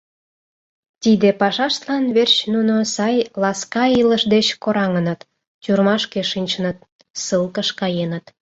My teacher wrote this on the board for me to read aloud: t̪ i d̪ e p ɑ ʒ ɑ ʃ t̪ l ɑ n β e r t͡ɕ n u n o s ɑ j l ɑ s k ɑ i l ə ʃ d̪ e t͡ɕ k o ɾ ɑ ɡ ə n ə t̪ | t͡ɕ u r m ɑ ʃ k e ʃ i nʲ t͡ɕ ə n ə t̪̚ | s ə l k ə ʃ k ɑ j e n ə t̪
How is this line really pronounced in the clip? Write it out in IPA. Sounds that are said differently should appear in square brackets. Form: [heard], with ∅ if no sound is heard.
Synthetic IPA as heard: t̪ i d̪ e p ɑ [ʃ] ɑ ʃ t̪ l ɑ n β e r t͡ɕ n u n o s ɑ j l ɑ s k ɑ i l ə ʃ d̪ e t͡ɕ k o ɾ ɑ [ŋ] ə n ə t̪ | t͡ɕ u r m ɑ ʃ k e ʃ i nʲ t͡ɕ ə n ə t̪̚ | s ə l k ə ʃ k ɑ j e n ə t̪

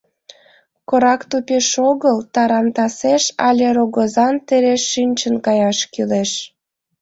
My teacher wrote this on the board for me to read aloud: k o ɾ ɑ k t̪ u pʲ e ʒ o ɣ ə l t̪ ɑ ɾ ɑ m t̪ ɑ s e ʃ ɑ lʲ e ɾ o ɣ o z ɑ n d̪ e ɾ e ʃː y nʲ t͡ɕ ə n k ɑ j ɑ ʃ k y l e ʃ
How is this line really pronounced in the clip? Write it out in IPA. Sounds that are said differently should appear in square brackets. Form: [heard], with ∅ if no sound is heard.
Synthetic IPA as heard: k o ɾ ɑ k t̪ u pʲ e [ʃ] o ɣ ə l t̪ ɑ ɾ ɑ m t̪ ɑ s e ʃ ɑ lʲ e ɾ o ɣ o z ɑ n [t̪] e ɾ e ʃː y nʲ t͡ɕ ə n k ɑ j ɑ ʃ k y l e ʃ

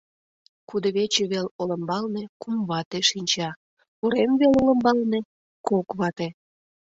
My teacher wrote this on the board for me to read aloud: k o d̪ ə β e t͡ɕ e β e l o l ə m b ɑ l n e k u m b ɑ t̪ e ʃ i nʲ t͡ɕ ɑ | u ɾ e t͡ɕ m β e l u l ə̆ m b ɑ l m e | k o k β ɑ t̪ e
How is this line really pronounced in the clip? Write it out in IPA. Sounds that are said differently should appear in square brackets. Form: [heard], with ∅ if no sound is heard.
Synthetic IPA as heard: k [u] d̪ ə β e t͡ɕ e β e l o l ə m b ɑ l n e k u m [β] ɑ t̪ e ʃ i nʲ t͡ɕ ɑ | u ɾ e [∅] m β e l [o] l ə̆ m b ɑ l [n] e | k o k β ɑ t̪ e

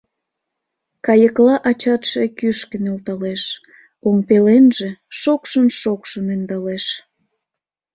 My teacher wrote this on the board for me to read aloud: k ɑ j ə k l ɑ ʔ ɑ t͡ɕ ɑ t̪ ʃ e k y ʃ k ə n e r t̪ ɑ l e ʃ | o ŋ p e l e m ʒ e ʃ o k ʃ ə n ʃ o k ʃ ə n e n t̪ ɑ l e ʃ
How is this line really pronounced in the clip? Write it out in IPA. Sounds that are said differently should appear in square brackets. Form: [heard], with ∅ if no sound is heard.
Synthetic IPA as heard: k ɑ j ə k l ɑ ʔ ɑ t͡ɕ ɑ t̪ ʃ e k y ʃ k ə n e [l] t̪ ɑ l e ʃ | o ŋ p e l e [n] ʒ e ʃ o k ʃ ə n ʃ o k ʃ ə n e n [d̪] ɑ l e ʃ

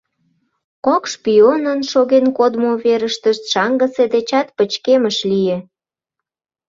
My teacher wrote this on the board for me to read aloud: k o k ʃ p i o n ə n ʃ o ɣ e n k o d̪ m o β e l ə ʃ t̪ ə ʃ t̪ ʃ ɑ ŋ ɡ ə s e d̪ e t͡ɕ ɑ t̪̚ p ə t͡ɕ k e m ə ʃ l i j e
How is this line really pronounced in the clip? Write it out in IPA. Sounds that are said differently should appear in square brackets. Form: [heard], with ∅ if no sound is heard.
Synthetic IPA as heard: k o k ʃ p i o n ə n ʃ o ɣ e n k o d̪ m o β e [ɾ] ə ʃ t̪ ə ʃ t̪ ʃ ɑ ŋ ɡ ə s e d̪ e t͡ɕ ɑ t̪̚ p ə t͡ɕ k e m ə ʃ l i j e

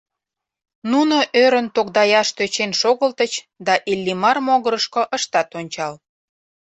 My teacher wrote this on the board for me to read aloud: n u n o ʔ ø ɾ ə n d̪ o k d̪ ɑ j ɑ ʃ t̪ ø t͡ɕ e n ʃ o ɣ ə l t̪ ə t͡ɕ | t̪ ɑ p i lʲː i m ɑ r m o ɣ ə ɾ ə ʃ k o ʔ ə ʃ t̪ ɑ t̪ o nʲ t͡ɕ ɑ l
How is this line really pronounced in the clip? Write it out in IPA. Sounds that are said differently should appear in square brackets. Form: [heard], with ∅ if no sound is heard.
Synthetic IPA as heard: n u n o ʔ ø ɾ ə n [t̪] o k d̪ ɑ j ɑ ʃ t̪ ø t͡ɕ e n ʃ o ɣ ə l t̪ ə t͡ɕ | [d̪] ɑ [ʔ] i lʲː i m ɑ r m o ɣ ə ɾ ə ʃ k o ʔ ə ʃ t̪ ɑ t̪ o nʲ t͡ɕ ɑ l

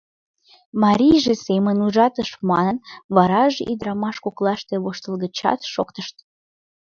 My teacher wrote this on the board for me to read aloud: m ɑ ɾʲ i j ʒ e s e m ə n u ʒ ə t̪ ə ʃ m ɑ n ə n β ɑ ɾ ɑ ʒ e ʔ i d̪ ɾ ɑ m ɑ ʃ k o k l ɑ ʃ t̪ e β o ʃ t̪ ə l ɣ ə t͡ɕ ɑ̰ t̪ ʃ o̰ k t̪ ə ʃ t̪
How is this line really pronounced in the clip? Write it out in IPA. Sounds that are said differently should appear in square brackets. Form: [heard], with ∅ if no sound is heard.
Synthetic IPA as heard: m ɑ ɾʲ i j ʒ e s e m ə n u ʒ [ɑ] t̪ ə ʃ m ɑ n ə n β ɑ ɾ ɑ ʒ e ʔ i d̪ ɾ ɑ m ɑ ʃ k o k l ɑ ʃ t̪ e β o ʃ t̪ ə l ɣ ə t͡ɕ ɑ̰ t̪ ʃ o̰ k t̪ ə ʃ t̪

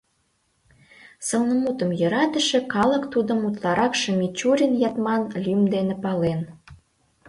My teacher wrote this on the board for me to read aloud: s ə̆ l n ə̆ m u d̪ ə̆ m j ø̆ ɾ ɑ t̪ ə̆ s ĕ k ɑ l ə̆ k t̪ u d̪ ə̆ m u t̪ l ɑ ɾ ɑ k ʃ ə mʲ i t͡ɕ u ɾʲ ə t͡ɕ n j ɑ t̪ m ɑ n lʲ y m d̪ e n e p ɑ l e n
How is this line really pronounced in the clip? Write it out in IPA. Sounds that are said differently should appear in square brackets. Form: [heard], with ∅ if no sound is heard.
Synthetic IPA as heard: s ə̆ l n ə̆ m u [t̪] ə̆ m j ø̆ ɾ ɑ t̪ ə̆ [ʃ] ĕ k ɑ l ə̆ k t̪ u d̪ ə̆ m u t̪ l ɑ ɾ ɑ k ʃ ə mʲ i t͡ɕ u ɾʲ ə [∅] n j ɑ t̪ m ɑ n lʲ y m d̪ e n e p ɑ l e n

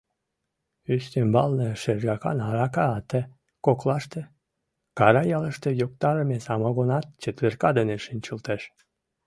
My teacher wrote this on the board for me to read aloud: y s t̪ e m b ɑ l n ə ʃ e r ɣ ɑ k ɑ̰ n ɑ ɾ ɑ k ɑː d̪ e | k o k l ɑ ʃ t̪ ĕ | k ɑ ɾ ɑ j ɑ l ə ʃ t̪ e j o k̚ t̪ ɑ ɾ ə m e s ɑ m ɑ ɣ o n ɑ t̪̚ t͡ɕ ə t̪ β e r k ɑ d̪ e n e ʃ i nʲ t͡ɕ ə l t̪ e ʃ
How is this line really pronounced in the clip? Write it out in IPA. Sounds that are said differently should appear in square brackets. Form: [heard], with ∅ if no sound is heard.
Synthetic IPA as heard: y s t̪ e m b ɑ l n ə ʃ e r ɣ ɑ k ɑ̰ n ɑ ɾ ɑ k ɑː [t̪] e | k o k l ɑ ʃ t̪ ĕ | k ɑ ɾ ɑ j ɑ l ə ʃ t̪ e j o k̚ t̪ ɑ ɾ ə m e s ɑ m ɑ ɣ o n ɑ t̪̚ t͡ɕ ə t̪ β e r k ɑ d̪ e n e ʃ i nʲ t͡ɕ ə l t̪ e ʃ

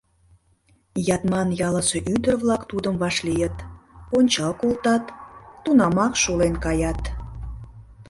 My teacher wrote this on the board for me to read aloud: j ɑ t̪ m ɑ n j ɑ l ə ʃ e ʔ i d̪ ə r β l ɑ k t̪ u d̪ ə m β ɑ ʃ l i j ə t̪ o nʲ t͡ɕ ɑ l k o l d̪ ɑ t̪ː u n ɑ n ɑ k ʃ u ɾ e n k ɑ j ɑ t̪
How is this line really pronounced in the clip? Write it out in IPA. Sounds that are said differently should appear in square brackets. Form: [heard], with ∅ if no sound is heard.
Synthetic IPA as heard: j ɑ t̪ m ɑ n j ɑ l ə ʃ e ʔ [y] d̪ ə r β l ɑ k t̪ u d̪ ə m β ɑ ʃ l i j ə t̪ o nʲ t͡ɕ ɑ l k o l [t̪] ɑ t̪ː u n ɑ [m] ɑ k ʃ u [l] e n k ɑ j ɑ t̪

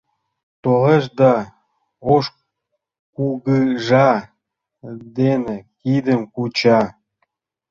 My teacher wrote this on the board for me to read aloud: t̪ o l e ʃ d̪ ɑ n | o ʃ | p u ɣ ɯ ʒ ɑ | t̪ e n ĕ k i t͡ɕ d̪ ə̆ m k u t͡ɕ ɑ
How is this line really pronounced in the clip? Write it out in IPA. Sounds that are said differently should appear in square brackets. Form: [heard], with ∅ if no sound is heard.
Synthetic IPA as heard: t̪ o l e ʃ d̪ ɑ [∅] | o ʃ | [k] u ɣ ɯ ʒ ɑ | [d̪] e n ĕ k i [∅] d̪ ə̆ m k u t͡ɕ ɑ

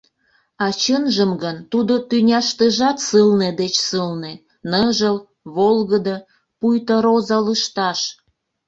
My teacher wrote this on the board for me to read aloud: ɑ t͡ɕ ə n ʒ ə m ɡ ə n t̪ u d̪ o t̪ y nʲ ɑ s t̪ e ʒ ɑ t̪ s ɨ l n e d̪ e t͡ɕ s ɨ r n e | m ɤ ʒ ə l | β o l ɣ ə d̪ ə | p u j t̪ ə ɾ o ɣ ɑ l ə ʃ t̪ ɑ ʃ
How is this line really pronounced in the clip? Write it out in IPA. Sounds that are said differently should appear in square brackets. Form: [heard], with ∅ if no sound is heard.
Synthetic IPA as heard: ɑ t͡ɕ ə n ʒ ə m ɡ ə n t̪ u d̪ o t̪ y nʲ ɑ [ʃ] t̪ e ʒ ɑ t̪ s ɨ l n e d̪ e t͡ɕ s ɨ [l] n e | [n] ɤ ʒ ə l | β o l ɣ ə d̪ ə | p u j t̪ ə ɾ o [z] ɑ l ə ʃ t̪ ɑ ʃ

